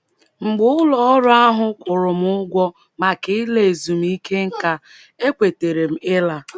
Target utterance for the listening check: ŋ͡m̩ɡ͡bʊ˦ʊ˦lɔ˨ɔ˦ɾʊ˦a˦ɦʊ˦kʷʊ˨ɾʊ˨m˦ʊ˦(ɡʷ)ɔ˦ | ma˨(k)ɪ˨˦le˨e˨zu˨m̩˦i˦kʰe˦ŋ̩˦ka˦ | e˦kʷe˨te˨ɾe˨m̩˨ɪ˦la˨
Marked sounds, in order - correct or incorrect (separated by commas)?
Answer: correct, correct